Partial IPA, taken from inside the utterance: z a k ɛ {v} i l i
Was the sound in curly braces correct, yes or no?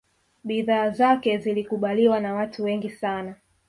no